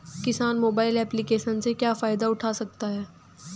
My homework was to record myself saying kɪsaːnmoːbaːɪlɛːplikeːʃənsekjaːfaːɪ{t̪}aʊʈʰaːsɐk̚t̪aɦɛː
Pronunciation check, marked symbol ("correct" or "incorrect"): incorrect